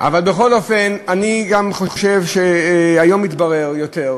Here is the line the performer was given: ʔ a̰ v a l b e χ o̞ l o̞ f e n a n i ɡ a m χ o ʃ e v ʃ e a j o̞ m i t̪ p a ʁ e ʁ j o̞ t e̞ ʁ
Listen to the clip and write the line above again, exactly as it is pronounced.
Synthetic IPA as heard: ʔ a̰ v a l b e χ o̞ l o̞ f e n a n i ɡ a m χ o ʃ e v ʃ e a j o̞ m i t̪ b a ʁ e ʁ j o̞ t e̞ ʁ